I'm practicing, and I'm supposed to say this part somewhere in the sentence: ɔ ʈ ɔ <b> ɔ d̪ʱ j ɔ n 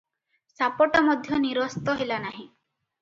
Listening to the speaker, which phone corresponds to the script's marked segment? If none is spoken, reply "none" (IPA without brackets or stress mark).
m